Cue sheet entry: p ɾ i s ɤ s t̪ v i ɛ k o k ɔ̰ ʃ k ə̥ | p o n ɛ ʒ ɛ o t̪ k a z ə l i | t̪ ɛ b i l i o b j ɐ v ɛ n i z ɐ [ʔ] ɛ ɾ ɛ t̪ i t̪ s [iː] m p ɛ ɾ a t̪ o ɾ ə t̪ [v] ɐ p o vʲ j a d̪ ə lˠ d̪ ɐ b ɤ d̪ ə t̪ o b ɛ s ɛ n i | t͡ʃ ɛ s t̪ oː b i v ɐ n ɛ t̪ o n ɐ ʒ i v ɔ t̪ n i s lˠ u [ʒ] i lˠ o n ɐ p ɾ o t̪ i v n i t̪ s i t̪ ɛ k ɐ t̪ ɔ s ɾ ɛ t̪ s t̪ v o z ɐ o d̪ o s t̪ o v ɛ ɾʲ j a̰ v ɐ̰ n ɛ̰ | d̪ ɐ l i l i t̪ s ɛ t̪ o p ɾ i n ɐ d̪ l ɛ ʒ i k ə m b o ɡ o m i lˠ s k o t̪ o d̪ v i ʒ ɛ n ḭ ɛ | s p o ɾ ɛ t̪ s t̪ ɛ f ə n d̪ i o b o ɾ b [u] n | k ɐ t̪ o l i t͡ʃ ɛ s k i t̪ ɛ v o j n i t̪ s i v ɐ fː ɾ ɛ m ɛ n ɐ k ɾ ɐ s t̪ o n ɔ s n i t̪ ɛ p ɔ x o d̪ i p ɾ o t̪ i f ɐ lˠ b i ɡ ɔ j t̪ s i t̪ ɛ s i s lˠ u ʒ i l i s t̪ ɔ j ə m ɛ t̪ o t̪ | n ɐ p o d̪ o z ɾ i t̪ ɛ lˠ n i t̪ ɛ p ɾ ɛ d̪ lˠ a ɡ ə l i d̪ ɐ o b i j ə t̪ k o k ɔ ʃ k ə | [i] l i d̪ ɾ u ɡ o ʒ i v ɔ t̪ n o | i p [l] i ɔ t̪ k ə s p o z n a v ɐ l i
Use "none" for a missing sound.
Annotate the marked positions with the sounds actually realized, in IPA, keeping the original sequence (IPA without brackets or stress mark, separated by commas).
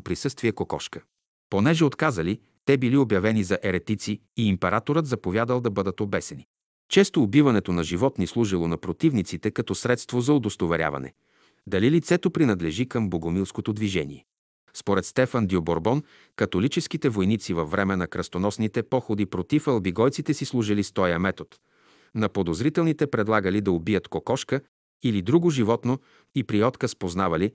ʔ, iː, z, ʒ, ɔ, i, ɾ